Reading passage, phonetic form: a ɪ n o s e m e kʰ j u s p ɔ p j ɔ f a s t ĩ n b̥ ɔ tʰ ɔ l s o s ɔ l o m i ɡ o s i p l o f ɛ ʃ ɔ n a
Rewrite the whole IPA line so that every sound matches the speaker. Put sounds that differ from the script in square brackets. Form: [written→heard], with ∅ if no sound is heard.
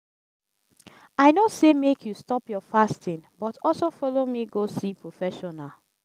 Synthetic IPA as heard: a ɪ n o s e m e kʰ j u s [p→t] ɔ p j ɔ f a s t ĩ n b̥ ɔ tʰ ɔ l s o [s→f] ɔ l o m i ɡ o s i p [l→ɹ] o f ɛ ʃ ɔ n a